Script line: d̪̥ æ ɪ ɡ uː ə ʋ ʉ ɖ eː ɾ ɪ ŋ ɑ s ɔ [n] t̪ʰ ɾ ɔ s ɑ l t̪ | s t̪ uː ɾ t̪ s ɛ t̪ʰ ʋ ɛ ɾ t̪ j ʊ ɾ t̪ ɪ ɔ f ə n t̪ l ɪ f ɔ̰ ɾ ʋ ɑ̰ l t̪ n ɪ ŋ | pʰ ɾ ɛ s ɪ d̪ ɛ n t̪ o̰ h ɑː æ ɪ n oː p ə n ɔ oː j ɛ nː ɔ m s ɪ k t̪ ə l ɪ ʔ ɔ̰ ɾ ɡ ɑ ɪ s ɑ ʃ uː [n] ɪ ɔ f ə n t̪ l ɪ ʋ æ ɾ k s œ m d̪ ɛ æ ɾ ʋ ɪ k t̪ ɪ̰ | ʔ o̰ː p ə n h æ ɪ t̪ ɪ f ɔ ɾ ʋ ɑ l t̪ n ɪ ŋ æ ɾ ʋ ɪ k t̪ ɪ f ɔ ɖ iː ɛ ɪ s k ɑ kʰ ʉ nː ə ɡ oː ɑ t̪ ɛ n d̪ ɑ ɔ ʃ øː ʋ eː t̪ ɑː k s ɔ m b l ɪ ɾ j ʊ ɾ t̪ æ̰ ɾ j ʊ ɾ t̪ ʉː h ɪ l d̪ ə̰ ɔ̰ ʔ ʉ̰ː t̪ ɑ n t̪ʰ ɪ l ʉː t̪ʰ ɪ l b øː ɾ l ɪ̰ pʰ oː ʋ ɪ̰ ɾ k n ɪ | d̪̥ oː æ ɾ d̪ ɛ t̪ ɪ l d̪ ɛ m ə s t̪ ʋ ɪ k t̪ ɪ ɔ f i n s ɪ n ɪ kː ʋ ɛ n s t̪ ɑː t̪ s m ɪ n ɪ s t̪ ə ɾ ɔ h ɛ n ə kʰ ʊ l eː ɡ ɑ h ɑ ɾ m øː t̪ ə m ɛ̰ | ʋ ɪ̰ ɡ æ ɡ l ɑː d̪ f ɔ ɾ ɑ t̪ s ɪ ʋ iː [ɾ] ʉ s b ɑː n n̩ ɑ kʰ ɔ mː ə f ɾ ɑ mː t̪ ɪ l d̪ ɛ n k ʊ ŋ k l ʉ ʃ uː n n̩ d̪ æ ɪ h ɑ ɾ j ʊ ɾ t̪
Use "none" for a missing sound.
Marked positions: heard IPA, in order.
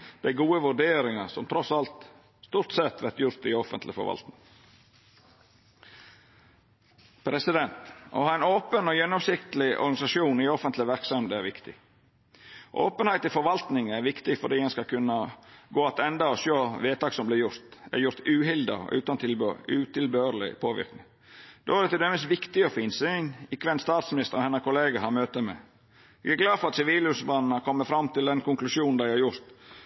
m, n, l

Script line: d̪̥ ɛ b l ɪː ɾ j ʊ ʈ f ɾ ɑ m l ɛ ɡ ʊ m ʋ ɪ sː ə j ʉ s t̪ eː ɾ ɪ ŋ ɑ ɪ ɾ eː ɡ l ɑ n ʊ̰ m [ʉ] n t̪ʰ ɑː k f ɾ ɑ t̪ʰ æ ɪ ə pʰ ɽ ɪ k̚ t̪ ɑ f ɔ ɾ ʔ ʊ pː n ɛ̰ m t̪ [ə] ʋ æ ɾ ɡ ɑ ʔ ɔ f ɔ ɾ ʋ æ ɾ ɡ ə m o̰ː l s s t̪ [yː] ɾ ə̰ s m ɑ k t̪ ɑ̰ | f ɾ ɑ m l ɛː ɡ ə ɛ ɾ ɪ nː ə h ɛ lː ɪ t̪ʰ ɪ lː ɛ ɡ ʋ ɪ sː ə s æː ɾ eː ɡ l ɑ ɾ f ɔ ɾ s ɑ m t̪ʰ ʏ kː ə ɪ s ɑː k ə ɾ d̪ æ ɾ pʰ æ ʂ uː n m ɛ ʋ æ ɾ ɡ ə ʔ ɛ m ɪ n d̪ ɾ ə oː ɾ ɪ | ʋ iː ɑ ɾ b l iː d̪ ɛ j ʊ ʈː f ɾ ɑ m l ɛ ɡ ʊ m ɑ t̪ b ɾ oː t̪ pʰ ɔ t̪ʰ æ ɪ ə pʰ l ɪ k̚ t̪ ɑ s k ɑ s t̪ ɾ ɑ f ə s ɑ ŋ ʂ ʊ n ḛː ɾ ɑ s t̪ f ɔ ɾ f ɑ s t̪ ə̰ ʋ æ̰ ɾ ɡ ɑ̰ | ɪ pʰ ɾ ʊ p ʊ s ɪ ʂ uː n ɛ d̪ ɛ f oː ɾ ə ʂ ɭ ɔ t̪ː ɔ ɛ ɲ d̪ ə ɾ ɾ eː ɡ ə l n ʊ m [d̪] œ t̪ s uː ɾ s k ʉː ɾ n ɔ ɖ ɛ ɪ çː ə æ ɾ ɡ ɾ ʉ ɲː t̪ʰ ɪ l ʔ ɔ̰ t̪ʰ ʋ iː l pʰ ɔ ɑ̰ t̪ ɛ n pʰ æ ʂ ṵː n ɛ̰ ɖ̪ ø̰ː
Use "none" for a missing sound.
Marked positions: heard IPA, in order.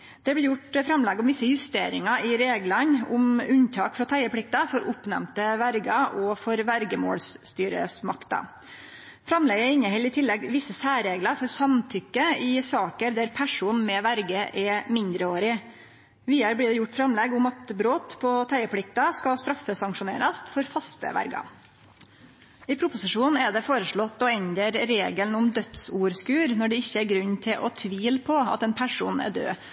ʉ, ə, yː, d̪

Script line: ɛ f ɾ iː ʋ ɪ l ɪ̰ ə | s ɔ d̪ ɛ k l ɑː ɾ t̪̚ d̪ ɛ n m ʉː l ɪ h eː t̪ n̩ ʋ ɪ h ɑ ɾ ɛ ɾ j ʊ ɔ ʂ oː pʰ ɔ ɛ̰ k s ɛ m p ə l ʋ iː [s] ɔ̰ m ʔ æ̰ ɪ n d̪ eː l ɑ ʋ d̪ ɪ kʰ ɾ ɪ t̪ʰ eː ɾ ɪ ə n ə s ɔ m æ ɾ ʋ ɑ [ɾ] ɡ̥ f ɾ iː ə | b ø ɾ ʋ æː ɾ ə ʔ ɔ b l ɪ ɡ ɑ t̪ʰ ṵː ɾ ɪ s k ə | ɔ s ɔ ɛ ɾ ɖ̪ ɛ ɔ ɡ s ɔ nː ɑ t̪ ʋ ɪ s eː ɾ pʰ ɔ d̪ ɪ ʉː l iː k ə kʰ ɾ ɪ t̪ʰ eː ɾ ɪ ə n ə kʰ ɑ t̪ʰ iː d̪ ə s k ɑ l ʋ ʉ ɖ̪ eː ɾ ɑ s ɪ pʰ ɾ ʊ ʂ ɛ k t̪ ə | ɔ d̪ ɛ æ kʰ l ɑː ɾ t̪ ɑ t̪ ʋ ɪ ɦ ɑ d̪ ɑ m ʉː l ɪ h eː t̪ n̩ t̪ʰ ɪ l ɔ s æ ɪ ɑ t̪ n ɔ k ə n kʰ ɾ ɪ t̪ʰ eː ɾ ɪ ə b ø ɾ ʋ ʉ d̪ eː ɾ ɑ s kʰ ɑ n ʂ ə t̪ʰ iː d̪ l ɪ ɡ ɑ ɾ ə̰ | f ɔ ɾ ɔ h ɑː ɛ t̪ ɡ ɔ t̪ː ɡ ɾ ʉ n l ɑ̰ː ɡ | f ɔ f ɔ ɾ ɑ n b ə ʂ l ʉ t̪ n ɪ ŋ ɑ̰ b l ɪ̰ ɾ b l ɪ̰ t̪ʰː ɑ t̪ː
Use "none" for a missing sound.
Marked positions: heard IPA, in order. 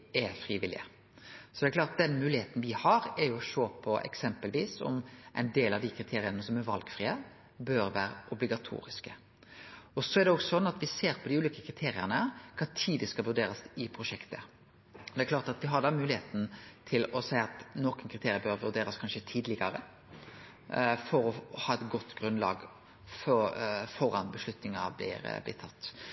s, l

